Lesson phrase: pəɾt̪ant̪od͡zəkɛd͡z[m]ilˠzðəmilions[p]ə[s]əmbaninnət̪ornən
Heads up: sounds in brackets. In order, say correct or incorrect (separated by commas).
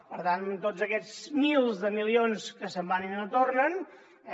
correct, incorrect, correct